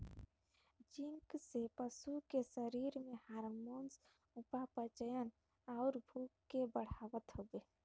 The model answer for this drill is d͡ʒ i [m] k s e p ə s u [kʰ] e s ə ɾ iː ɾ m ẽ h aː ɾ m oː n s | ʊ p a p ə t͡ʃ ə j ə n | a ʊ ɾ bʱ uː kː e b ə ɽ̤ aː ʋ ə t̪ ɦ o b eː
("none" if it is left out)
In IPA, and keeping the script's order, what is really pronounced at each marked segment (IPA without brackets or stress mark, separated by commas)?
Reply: ŋ, k